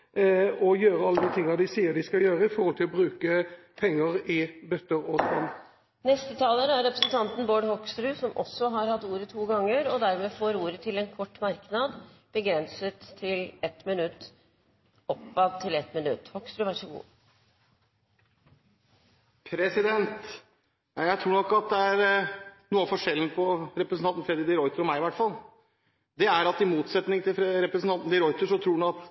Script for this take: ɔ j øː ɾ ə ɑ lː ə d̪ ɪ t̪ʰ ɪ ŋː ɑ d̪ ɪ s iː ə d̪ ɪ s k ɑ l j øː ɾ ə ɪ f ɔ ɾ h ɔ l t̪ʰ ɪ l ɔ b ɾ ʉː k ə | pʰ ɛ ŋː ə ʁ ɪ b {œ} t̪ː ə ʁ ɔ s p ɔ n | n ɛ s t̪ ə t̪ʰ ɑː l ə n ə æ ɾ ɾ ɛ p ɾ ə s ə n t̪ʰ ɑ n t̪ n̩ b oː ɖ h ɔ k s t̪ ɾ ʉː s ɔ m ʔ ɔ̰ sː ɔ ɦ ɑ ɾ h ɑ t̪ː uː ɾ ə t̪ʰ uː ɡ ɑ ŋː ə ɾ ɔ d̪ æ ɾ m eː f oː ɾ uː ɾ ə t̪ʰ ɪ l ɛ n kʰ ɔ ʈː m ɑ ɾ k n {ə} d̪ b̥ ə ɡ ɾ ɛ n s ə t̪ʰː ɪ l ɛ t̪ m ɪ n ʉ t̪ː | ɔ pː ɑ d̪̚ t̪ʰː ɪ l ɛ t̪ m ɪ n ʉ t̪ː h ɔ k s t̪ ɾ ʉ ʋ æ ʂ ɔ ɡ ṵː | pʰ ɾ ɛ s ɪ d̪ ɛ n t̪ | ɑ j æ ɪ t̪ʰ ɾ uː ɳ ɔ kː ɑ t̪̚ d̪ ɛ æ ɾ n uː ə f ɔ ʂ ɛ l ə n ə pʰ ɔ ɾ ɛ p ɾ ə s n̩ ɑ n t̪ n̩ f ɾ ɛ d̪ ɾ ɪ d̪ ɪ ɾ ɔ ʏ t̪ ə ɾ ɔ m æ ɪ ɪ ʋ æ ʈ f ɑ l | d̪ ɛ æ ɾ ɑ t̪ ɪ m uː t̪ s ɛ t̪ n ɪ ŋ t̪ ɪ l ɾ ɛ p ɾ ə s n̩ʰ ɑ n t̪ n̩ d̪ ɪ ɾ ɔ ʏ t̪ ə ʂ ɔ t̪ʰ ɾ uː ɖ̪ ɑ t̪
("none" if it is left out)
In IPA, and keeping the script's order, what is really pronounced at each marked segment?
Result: œ, ɑ

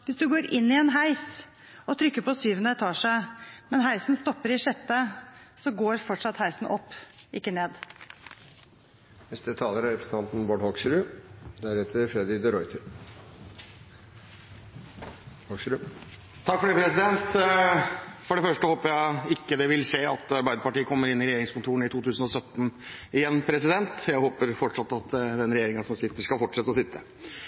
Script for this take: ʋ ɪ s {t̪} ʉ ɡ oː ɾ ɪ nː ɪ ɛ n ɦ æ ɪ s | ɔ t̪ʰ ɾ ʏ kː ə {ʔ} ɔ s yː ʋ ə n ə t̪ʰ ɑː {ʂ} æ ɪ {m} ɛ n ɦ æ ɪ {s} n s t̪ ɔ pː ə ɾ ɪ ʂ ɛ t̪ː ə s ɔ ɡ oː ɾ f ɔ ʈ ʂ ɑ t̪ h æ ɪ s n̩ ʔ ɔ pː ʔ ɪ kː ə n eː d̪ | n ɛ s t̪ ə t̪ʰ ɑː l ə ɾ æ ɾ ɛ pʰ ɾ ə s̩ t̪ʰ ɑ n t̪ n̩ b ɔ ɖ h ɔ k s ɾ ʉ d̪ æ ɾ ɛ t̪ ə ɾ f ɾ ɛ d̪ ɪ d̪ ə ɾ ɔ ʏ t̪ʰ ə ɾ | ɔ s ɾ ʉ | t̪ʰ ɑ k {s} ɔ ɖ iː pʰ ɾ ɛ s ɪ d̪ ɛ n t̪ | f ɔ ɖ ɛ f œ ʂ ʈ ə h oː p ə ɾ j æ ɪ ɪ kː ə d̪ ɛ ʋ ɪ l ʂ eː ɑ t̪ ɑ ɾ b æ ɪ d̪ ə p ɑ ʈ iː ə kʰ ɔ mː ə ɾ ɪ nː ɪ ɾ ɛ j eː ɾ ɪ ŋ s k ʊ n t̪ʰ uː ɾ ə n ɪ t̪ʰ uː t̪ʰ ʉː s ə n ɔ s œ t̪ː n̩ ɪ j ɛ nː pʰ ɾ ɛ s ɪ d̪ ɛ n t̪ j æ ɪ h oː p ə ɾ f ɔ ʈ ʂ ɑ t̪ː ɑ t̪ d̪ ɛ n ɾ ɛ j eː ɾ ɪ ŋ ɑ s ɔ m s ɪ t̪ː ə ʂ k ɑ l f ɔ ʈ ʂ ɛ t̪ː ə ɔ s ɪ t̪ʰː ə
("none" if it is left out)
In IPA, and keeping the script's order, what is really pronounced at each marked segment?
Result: d̪, p, ʂ, m, s, f

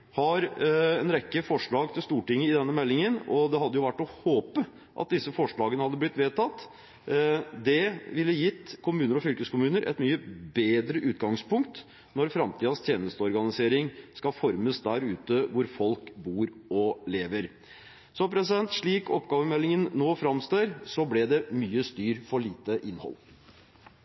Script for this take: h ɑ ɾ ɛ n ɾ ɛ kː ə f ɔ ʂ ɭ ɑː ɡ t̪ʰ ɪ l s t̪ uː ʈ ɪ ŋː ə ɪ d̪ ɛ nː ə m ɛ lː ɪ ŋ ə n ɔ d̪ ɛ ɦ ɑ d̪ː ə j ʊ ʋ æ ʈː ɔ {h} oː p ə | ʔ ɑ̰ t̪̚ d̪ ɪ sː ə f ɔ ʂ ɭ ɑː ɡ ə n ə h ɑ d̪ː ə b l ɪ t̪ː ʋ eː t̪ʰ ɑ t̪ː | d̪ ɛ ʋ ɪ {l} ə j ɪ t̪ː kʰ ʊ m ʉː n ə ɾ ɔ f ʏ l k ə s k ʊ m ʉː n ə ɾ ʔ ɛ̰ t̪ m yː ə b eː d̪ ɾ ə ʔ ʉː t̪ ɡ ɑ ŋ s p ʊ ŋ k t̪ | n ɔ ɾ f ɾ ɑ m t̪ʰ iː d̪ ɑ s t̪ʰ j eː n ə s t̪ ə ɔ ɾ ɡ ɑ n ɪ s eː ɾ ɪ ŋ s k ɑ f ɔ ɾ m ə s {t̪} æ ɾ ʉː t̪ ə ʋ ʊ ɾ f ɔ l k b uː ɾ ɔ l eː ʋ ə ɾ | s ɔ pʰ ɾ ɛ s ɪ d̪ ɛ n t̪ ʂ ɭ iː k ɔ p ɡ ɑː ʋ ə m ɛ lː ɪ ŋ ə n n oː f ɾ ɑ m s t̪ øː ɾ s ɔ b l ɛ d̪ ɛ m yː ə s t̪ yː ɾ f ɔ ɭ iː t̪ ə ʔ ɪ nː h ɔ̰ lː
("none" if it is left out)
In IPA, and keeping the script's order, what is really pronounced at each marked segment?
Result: h, lː, d̪

